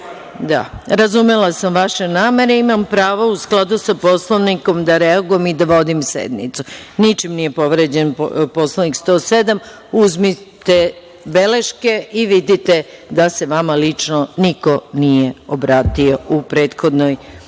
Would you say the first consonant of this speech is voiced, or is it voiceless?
voiced